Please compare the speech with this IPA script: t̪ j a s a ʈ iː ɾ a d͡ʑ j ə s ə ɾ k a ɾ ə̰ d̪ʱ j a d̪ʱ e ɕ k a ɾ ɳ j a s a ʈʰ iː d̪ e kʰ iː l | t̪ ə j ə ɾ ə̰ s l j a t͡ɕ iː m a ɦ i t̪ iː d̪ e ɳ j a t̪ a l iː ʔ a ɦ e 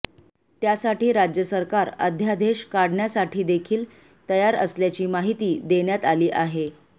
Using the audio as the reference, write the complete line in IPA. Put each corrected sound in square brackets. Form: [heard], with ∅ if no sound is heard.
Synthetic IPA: t̪ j a s a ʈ iː ɾ a d͡ʑ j ə s ə ɾ k a ɾ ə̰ d̪ʱ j a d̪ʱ e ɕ k a [ɽ] ɳ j a s a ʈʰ iː d̪ e kʰ iː l | t̪ ə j [a] ɾ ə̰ s l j a t͡ɕ iː m a ɦ i t̪ iː d̪ e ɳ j a t̪ a l iː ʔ a ɦ e